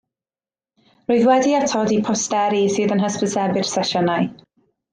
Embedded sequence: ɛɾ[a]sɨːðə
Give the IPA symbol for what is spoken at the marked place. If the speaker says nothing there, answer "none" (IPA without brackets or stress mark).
i